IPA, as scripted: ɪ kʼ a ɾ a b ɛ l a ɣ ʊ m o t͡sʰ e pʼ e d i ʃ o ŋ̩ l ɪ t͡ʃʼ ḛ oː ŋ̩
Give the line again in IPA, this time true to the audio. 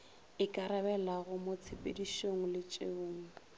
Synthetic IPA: ɪ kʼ a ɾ a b ɛ l a ɣ ʊ m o t͡sʰ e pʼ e d i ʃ o ŋ̩ l ɪ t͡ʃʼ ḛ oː ŋ̩